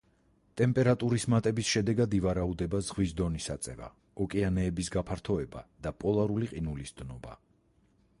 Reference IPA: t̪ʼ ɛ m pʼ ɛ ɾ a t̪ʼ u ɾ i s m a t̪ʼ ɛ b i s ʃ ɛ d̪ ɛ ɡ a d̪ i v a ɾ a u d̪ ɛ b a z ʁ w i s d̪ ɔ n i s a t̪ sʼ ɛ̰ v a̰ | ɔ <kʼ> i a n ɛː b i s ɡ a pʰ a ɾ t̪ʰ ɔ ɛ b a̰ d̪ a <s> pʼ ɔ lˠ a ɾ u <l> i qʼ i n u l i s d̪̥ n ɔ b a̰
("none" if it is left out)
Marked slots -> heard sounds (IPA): kʼ, none, l

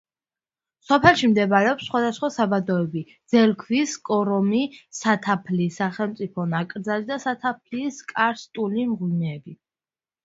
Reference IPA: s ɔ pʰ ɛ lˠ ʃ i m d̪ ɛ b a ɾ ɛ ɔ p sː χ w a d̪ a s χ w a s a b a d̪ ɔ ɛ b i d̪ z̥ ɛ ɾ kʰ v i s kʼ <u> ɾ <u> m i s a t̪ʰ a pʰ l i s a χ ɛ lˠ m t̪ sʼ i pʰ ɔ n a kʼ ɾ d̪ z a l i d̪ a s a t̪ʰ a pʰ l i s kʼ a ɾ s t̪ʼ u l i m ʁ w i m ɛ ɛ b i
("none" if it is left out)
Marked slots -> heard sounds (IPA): ɔ, ɔ

